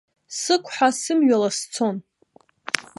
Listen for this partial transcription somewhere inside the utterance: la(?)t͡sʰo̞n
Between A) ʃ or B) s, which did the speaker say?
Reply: B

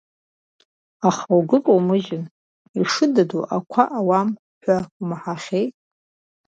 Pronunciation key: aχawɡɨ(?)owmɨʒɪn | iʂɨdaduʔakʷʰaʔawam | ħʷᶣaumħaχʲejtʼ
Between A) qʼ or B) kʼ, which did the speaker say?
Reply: B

